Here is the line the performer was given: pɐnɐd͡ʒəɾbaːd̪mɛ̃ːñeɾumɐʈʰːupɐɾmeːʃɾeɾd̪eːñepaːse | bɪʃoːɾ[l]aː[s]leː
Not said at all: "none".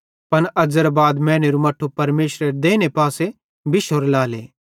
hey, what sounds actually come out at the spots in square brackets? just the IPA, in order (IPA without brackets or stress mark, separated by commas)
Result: l, none